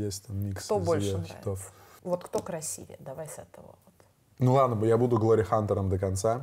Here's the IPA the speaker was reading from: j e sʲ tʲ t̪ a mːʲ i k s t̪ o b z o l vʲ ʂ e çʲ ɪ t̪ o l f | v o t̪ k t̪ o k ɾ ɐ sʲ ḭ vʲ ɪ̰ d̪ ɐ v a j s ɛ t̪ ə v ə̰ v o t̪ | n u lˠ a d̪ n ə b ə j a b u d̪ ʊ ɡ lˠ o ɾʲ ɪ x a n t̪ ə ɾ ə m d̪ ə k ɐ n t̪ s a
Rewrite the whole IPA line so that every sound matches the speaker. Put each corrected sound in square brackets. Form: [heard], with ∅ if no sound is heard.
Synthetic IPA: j e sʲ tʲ t̪ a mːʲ i k s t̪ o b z o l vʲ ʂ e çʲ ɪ t̪ o [∅] f | v o t̪ k t̪ o k ɾ ɐ sʲ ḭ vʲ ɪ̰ d̪ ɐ v a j s ɛ t̪ ə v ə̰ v o t̪ | n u lˠ a d̪ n ə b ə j a b u d̪ ʊ ɡ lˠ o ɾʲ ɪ x a n t̪ ə ɾ ə m d̪ ə k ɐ n t̪ s a